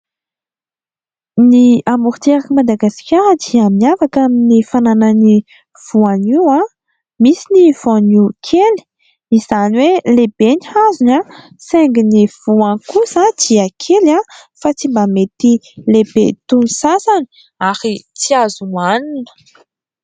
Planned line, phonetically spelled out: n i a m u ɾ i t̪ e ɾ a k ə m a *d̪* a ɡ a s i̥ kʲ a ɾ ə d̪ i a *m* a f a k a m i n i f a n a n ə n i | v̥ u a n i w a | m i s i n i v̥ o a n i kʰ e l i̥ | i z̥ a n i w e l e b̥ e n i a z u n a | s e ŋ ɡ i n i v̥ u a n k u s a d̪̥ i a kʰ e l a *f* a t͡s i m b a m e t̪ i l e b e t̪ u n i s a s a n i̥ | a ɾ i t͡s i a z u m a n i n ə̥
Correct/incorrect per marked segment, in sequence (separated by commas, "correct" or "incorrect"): correct, correct, correct